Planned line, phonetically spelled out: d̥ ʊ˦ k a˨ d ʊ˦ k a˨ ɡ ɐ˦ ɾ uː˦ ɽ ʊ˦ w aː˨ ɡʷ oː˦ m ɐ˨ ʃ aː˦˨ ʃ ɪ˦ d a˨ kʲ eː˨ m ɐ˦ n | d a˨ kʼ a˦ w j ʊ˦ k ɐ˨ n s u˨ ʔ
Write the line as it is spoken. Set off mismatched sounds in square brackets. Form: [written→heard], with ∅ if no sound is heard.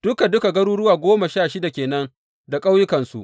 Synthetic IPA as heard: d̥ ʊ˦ k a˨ d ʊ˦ k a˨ ɡ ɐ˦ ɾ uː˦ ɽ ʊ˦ w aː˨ ɡʷ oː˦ m [ɐ˨→a˨] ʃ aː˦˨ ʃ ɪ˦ d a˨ kʲ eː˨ [m→n] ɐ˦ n | d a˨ kʼ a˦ w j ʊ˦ k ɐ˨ n s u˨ ʔ